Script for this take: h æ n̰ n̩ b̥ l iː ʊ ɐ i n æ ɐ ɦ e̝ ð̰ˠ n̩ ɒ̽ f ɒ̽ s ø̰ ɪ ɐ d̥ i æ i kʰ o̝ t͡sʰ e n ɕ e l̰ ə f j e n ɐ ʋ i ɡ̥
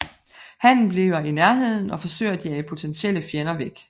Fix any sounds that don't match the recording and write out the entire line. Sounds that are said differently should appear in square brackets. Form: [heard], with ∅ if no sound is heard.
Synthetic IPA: h æ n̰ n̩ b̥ l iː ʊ ɐ i n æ ɐ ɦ e̝ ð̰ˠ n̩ ɒ̽ f ɒ̽ s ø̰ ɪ ɐ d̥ i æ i [pʰ] o̝ t͡sʰ e n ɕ e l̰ ə f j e n ɐ ʋ [e] ɡ̥